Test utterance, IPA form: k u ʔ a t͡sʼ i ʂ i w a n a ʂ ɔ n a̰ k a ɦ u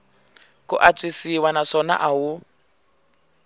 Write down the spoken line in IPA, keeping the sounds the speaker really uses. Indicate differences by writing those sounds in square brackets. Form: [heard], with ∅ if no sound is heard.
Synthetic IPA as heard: k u ʔ a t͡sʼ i [s] i w a n a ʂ ɔ n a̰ [ʔ] a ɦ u